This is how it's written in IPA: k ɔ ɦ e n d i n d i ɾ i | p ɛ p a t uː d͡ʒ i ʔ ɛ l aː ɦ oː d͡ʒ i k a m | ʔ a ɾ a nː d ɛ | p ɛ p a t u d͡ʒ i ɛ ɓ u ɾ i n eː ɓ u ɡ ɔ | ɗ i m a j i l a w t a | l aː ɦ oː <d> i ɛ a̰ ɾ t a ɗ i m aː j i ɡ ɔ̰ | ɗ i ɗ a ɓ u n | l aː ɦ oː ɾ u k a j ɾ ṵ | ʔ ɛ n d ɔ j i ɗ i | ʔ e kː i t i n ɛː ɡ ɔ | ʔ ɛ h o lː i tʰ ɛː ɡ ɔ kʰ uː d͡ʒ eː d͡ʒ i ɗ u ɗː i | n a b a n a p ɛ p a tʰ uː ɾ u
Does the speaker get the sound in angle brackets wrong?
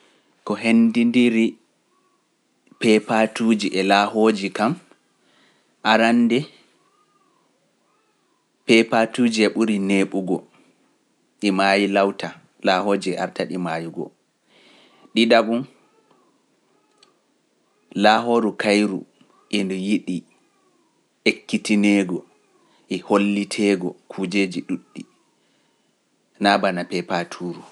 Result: yes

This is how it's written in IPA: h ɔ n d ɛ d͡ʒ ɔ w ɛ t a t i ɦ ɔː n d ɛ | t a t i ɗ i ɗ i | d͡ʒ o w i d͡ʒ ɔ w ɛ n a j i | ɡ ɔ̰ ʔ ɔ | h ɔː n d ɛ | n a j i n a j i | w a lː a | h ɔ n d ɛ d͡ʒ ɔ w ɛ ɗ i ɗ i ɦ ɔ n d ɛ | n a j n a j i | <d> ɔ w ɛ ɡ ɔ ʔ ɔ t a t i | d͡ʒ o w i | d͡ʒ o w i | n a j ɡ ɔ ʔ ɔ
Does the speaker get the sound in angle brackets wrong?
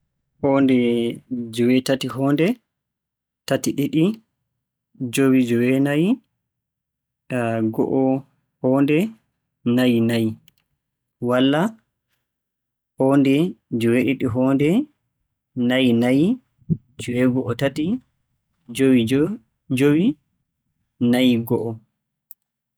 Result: yes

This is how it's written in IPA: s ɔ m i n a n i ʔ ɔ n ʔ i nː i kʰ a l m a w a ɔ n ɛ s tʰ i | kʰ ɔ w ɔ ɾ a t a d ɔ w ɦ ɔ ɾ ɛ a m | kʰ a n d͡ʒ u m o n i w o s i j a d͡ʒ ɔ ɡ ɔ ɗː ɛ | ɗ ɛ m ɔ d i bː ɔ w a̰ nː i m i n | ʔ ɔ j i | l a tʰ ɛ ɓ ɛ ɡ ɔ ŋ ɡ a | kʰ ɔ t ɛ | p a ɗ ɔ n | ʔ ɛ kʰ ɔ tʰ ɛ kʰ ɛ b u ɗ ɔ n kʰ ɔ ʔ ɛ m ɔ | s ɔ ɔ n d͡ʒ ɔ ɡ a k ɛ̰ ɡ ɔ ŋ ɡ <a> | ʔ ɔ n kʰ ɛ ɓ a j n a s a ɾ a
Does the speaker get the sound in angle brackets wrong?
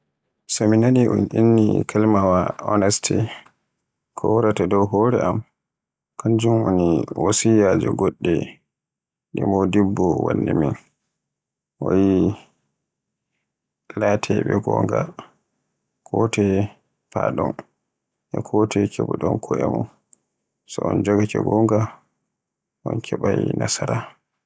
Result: no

